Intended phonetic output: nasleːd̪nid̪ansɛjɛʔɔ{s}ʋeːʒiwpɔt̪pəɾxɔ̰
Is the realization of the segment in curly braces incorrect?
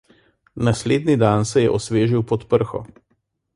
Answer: no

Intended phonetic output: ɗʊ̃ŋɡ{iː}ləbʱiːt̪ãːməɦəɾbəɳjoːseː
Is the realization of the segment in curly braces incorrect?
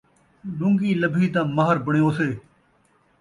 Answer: no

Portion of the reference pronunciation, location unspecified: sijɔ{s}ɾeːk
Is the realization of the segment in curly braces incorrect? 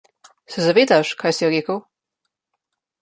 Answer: yes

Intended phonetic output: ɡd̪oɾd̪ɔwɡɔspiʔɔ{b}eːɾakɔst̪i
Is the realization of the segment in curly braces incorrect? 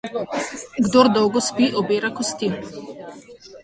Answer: no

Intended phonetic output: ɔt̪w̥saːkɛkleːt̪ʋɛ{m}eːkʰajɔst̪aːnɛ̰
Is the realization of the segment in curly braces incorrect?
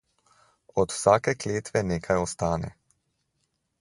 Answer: yes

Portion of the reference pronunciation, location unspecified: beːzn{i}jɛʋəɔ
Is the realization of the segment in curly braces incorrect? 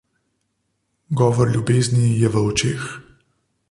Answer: no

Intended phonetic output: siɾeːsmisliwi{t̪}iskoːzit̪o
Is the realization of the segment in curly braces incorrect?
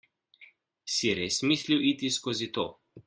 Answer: no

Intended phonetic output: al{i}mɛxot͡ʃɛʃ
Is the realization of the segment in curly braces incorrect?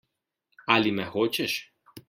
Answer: no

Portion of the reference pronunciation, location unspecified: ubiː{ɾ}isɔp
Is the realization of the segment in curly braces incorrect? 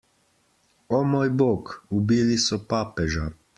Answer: yes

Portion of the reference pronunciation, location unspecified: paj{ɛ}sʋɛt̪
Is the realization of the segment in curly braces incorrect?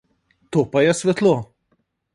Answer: no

